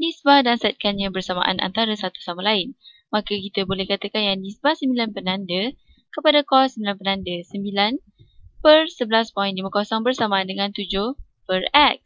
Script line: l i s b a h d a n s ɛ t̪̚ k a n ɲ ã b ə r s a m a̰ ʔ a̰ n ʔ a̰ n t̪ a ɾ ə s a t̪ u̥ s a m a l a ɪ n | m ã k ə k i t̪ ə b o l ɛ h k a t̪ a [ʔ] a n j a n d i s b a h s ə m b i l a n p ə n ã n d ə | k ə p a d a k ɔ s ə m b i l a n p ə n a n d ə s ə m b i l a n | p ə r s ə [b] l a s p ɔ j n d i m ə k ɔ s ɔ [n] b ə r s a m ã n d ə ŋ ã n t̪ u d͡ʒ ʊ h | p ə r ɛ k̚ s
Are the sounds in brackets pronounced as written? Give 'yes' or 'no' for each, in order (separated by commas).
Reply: no, yes, no